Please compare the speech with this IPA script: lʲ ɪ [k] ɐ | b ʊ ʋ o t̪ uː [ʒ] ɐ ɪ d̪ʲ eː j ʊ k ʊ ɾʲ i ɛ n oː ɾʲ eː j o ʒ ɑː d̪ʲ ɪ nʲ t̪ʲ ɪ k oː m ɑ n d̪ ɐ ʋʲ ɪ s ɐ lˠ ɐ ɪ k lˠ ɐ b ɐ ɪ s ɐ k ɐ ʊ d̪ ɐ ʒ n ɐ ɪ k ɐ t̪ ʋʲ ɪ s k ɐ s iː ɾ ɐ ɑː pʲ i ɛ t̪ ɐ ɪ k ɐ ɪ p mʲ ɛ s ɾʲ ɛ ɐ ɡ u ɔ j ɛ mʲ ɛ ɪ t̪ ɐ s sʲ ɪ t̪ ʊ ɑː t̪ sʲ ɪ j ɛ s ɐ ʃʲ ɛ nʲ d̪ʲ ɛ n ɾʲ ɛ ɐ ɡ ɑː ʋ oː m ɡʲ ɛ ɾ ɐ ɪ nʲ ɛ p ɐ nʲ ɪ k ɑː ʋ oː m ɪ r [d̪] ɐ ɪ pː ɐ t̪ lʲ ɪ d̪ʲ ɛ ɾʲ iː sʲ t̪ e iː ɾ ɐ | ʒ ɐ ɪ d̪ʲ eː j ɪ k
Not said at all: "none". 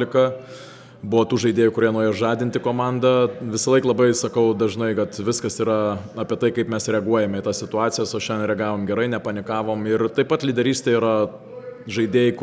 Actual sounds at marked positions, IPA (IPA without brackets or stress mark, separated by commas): k, ʒ, t̪